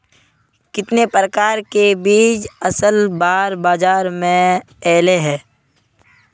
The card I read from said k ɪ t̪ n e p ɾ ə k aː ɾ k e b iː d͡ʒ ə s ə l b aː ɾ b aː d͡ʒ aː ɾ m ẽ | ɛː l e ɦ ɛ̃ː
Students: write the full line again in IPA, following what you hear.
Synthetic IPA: k ɪ t̪ n e p ɾ ə k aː ɾ k e b iː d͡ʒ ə s ə l b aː ɾ b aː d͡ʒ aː ɾ m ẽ | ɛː l e ɦ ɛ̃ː